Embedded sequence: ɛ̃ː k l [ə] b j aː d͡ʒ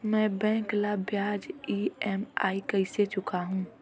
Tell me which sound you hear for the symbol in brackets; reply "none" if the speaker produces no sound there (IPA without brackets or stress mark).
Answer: a